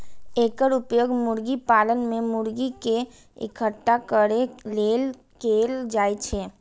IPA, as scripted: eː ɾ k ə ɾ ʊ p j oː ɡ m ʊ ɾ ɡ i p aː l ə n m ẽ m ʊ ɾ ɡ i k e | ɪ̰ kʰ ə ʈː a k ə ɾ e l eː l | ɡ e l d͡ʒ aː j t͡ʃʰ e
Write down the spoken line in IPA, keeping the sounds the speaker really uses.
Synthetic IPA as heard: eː k ə ɾ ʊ p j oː ɡ m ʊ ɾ ɡ i p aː l ə n m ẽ m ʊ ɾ ɡ i k e | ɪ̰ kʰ ə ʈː a k ə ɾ e l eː l | k e l d͡ʒ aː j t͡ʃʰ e